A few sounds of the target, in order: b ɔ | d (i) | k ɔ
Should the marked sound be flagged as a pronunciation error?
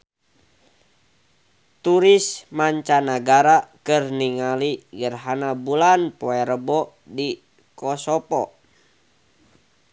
no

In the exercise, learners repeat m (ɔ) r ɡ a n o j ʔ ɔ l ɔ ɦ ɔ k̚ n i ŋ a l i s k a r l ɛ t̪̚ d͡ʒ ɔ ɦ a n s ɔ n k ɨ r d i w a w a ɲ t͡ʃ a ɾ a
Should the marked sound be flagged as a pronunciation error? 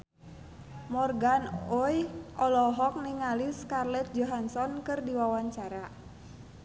no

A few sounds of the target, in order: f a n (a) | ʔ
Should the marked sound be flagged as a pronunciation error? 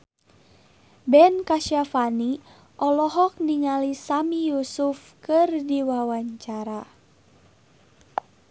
yes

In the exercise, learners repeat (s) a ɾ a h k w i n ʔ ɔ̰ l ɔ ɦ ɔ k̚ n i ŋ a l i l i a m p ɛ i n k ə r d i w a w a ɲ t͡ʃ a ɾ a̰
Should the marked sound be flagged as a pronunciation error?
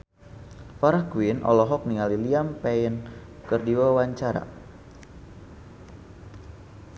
yes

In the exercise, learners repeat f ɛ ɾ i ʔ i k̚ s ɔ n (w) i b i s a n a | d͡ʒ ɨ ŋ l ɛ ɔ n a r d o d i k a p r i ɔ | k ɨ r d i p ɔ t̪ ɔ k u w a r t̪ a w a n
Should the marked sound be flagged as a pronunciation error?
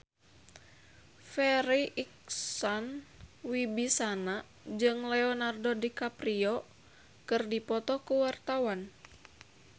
no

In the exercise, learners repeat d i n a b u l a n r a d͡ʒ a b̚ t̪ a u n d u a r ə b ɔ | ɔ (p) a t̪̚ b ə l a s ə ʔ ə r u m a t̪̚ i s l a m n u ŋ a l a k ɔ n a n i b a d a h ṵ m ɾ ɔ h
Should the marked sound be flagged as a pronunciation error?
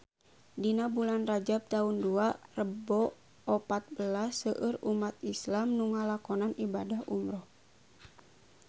no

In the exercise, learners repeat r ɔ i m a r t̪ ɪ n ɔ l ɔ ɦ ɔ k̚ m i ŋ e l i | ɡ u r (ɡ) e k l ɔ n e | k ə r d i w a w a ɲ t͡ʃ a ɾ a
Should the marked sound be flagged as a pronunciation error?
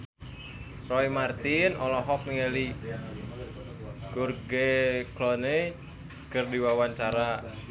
no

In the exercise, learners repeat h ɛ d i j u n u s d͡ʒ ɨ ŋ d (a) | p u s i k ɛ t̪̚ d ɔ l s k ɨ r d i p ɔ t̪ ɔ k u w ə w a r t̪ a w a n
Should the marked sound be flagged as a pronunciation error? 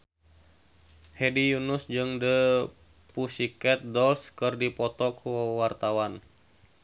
yes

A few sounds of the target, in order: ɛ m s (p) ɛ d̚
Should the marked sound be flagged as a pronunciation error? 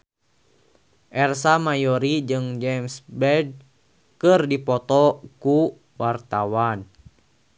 yes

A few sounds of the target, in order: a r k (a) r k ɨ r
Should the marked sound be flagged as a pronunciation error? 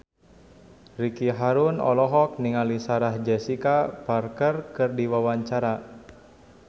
yes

